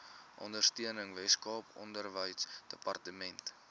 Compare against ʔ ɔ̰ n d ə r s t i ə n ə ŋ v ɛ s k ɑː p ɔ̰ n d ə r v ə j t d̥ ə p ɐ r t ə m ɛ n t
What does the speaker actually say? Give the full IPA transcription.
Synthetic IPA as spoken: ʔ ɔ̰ n d ə r s t i ə n ə ŋ v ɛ s k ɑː p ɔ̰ n d ə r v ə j s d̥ ə p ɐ r t ə m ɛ n t